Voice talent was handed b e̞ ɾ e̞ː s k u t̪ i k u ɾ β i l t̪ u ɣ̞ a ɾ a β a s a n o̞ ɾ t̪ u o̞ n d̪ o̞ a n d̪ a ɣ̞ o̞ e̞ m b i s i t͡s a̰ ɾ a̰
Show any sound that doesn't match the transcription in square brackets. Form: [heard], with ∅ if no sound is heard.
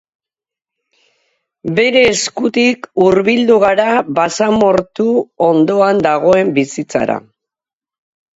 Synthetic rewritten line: b e̞ ɾ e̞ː s k u t̪ i k u ɾ β i l [d̪] u ɣ̞ a ɾ a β a s a [m] o̞ ɾ t̪ u o̞ n d̪ o̞ a n d̪ a ɣ̞ o̞ e̞ m b i s i t͡s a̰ ɾ a̰